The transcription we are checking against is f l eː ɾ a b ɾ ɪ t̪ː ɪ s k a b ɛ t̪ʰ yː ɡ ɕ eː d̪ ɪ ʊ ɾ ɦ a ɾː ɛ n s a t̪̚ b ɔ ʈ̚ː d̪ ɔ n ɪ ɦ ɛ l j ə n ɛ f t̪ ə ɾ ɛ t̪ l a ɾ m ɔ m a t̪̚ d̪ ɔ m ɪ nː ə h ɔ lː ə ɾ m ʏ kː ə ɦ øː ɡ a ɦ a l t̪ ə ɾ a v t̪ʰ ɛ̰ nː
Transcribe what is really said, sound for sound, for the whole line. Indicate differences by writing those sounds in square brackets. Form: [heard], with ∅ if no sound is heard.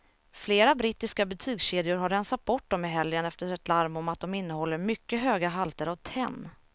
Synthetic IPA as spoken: f l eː ɾ a b ɾ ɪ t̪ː ɪ s k a b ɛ t̪ʰ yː ɡ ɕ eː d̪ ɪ ʊ ɾ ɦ a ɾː ɛ n s a t̪̚ b ɔ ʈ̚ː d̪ ɔ [m] ɪ ɦ ɛ l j ə n ɛ f t̪ ə ɾ ɛ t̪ l a ɾ m ɔ m a t̪̚ d̪ ɔ m ɪ nː ə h ɔ lː ə ɾ m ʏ kː ə ɦ øː ɡ a ɦ a l t̪ ə ɾ a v t̪ʰ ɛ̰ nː